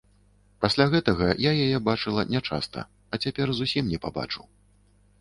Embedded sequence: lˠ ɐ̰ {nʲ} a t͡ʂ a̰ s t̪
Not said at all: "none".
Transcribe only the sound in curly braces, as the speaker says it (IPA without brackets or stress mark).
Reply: nʲ